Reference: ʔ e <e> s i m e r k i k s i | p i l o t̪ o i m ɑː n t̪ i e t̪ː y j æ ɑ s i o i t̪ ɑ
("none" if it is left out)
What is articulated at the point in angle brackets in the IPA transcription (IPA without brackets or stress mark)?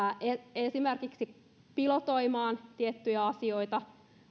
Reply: e